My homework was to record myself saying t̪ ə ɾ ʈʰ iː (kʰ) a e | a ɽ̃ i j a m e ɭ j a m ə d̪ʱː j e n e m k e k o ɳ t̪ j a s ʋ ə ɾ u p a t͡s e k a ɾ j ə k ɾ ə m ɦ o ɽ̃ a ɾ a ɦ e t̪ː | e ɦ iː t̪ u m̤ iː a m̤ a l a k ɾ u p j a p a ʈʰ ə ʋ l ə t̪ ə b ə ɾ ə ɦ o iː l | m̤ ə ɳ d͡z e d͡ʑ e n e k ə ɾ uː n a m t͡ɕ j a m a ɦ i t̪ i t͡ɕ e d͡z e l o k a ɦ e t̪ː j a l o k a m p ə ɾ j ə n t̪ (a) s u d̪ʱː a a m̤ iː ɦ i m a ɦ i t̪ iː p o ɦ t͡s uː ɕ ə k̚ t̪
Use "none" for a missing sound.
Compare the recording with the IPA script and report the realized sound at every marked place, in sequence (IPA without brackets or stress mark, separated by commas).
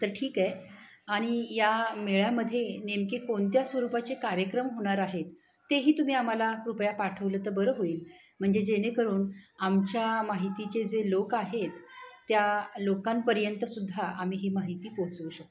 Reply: k, ə